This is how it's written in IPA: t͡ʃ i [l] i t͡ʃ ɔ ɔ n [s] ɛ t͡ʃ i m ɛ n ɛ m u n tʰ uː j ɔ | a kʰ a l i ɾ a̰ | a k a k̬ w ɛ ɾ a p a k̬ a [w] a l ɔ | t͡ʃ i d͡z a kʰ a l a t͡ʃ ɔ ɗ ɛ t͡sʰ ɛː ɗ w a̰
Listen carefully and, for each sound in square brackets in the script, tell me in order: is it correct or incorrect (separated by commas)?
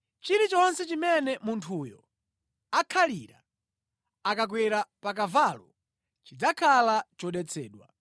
incorrect, correct, incorrect